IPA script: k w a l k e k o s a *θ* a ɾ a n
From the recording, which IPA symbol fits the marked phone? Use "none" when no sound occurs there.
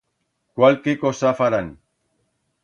f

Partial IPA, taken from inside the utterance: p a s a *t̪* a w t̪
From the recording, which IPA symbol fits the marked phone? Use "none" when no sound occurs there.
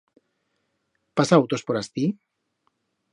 none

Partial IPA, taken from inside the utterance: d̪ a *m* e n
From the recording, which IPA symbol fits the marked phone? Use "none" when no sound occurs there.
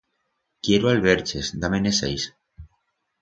m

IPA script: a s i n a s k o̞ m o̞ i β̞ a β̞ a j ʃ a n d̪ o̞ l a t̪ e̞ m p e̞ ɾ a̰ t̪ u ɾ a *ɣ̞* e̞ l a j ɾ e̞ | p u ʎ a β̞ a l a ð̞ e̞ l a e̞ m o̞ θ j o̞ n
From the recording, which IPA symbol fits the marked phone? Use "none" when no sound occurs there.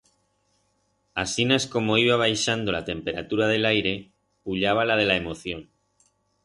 ð̞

